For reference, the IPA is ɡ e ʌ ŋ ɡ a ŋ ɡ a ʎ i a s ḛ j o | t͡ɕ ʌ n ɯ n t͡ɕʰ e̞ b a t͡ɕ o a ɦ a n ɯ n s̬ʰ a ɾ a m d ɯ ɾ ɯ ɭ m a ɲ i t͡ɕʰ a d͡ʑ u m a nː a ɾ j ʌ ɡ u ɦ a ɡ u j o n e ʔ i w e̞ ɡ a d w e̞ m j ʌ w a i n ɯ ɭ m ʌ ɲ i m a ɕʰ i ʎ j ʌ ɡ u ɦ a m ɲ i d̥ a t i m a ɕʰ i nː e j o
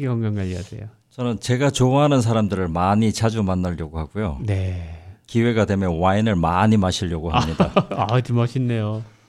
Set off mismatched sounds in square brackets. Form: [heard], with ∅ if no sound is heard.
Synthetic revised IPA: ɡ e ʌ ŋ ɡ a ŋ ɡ a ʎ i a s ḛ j o | t͡ɕ ʌ n ɯ n [t͡ɕ] e̞ [ɡ] a t͡ɕ o a ɦ a n ɯ n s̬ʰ a ɾ a m d ɯ ɾ ɯ ɭ m a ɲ i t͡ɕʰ a d͡ʑ u m a nː a [ʎ] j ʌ ɡ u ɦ a ɡ u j o n e [k] i w e̞ ɡ a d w e̞ m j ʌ w a i n ɯ ɭ m [a] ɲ i m a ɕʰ i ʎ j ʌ ɡ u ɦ a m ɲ i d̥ a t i m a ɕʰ i nː e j o